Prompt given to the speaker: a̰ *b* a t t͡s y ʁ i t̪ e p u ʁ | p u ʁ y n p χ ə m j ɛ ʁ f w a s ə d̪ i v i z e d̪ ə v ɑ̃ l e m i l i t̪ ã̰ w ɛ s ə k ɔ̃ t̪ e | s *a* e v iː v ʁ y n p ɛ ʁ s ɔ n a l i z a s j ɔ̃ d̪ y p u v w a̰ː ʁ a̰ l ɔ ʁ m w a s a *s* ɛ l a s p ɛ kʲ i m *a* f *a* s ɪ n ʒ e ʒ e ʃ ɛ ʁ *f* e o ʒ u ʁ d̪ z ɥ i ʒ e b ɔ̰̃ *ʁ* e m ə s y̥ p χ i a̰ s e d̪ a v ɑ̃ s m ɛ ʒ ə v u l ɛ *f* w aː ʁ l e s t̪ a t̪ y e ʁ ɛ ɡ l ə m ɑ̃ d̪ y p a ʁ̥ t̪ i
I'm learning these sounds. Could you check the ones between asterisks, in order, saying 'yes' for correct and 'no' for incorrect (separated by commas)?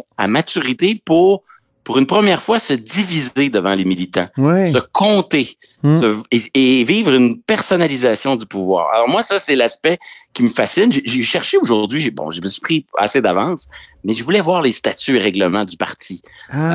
no, no, yes, no, yes, no, no, no